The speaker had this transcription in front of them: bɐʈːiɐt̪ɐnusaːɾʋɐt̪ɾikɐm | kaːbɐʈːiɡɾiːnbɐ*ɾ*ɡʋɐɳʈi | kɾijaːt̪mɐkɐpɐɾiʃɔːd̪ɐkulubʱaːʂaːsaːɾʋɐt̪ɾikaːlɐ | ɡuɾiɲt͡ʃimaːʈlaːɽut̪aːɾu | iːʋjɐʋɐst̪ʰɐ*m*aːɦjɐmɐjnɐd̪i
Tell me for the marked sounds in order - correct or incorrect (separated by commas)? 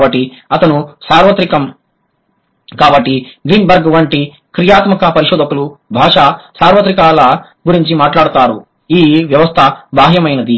correct, incorrect